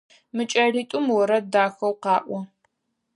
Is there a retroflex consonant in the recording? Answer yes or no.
no